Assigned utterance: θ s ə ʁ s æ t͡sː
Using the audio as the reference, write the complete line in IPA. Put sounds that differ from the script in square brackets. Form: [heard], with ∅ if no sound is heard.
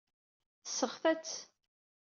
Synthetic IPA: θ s ə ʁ [f] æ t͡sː